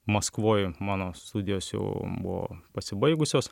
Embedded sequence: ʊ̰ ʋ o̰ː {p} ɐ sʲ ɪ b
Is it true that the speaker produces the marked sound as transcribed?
yes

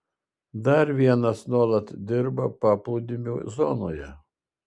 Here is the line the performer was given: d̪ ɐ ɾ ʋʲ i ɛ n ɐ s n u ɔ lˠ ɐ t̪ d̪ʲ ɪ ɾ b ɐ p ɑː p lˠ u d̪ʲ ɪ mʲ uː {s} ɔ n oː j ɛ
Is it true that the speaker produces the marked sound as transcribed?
no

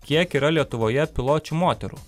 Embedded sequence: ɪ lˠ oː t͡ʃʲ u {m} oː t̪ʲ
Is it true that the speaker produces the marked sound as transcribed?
yes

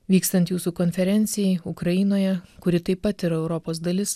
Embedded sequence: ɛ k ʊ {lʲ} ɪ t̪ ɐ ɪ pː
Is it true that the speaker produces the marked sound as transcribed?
no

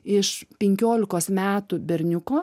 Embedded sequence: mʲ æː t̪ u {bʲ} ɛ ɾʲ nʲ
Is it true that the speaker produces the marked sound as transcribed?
yes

